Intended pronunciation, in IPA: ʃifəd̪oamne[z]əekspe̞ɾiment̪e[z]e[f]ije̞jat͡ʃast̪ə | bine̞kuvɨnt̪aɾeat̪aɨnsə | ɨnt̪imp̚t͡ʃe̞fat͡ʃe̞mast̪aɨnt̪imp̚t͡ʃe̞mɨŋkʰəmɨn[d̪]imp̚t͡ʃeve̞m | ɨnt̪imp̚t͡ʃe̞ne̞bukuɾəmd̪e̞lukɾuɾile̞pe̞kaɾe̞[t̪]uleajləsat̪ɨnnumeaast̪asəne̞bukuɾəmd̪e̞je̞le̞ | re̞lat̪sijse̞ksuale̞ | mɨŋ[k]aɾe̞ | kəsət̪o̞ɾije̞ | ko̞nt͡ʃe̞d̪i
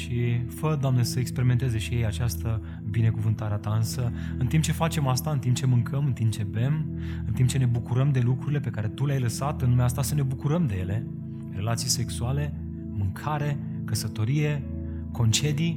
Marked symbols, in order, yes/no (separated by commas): no, yes, no, no, yes, no